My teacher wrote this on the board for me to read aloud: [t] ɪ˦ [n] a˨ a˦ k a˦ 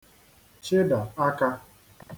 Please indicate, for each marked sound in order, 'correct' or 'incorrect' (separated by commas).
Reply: incorrect, incorrect